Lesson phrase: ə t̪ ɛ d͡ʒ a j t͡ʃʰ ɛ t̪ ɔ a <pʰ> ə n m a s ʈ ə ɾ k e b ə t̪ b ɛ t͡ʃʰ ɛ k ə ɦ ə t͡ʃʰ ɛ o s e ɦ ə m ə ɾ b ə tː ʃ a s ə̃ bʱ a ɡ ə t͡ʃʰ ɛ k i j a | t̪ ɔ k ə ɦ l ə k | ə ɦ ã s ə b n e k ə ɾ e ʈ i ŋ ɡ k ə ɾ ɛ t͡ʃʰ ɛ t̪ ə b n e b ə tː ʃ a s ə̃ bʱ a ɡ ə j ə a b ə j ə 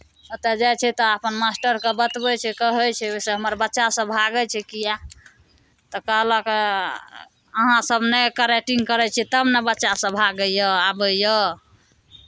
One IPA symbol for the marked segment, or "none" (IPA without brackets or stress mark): p